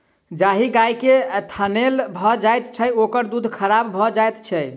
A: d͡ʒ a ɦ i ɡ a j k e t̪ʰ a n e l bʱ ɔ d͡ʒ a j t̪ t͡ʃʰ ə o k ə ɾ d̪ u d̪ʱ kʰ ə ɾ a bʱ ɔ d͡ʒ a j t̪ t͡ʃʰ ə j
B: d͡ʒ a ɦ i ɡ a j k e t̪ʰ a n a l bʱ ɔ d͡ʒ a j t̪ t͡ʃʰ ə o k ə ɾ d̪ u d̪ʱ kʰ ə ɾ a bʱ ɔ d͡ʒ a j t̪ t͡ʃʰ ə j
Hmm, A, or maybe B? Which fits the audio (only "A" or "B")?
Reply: A